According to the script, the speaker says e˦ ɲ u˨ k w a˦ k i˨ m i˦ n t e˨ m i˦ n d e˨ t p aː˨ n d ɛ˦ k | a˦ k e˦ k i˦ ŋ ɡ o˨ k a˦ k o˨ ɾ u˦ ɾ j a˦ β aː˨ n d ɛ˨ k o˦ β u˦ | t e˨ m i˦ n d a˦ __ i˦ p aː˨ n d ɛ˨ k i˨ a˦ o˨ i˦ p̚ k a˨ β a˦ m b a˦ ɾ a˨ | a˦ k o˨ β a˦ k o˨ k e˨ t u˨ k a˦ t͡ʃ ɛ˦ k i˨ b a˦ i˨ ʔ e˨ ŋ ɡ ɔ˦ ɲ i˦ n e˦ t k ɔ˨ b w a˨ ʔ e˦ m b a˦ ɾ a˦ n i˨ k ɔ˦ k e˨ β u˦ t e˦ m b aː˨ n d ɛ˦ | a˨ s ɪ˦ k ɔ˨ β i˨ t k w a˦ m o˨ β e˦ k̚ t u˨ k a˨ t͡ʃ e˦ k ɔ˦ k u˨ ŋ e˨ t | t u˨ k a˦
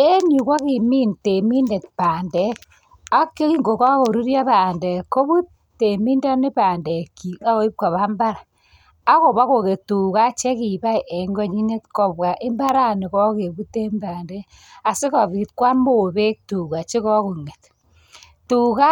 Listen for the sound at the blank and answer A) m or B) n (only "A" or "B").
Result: B